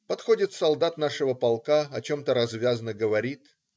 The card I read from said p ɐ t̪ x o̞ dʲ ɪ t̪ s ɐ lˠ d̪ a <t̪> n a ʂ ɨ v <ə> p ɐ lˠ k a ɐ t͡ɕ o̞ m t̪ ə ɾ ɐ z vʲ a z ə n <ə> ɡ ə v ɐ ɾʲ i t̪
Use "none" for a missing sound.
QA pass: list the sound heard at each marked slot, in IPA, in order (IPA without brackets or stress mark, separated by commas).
t̪, ə, ə